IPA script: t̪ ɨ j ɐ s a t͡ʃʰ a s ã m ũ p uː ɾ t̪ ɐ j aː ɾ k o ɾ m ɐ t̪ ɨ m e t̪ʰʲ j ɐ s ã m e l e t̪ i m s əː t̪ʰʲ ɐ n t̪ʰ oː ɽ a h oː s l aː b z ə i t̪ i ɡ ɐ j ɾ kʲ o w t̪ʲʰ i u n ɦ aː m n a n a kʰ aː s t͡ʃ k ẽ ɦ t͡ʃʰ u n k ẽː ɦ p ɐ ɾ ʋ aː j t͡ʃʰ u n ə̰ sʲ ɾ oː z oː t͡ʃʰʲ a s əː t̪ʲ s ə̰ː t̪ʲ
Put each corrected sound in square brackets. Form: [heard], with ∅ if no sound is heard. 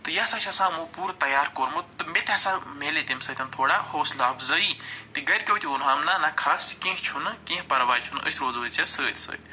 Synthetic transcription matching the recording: t̪ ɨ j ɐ s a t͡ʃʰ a s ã m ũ p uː ɾ t̪ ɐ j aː ɾ k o ɾ m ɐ t̪ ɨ m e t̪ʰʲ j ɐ s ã m e l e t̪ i m s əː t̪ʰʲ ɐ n t̪ʰ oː ɽ a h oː s l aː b z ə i t̪ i ɡ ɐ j ɾ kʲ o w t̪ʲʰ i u n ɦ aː m n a n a kʰ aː s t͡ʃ k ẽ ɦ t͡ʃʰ u n k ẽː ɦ p ɐ ɾ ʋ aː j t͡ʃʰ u n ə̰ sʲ ɾ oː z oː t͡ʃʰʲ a s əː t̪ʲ s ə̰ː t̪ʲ